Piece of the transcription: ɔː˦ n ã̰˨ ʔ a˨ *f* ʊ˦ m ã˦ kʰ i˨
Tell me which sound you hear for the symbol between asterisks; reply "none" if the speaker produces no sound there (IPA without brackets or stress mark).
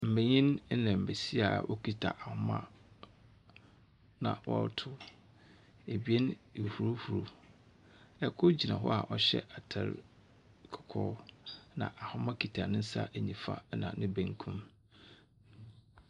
h